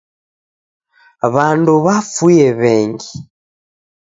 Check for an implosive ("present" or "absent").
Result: absent